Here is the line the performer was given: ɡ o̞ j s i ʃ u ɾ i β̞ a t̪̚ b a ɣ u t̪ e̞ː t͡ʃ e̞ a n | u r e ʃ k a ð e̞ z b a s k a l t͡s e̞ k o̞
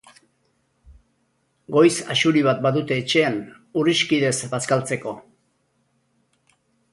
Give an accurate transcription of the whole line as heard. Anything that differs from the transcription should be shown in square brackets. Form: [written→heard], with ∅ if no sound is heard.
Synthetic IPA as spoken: ɡ o̞ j s [i→a] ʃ u ɾ i β̞ a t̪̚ b a [ɣ→ð] u t̪ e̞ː t͡ʃ e̞ a n | u r [e→i] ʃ k [a→i] ð e̞ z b a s k a l t͡s e̞ k o̞